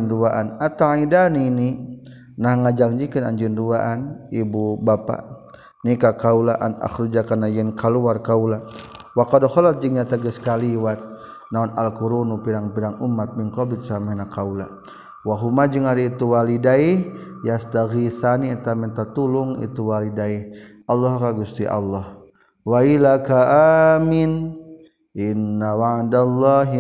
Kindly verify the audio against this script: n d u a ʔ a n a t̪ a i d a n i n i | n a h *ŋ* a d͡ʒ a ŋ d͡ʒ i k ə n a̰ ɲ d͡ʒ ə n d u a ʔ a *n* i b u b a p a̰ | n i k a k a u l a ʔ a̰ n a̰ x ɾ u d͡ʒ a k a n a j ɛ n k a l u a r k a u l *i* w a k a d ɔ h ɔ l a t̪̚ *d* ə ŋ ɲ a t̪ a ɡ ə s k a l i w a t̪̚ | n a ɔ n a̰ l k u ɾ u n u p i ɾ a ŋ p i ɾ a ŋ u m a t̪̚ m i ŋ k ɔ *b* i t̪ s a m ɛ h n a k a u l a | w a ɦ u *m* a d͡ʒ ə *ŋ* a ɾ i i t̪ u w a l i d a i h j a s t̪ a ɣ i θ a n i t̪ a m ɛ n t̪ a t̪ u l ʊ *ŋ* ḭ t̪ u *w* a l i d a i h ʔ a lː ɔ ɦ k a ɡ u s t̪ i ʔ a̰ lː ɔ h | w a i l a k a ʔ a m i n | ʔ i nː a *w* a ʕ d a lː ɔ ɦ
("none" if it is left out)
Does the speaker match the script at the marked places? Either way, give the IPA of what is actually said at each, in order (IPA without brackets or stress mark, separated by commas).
ŋ, n, a, d͡ʒ, b, m, ŋ, ŋ, w, w